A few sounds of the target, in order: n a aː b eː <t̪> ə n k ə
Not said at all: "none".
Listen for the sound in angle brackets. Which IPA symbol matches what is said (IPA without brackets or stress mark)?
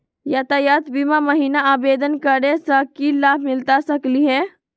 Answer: d̪